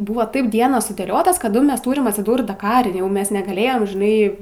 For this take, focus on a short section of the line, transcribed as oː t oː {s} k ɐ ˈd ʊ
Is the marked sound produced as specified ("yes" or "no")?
yes